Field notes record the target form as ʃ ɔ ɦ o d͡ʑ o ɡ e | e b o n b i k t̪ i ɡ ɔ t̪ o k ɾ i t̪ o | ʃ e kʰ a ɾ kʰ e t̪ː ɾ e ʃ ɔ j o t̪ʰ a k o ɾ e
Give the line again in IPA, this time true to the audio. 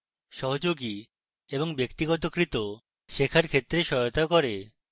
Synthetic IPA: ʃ ɔ ɦ o d͡ʑ o ɡ i | e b o ŋ b e k t̪ i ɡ ɔ t̪ o k ɾ i t̪ o | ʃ e kʰ a ɾ kʰ e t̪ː ɾ e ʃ ɔ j o t̪ a k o ɾ e